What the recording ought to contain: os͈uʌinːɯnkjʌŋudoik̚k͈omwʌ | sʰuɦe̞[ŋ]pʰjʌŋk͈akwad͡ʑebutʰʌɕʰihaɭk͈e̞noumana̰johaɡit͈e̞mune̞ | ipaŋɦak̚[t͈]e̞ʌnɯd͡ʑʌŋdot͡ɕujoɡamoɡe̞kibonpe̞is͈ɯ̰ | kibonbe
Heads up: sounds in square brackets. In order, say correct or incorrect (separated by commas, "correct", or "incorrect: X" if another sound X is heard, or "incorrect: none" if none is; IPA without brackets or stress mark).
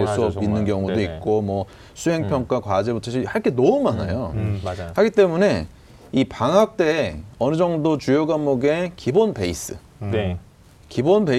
correct, correct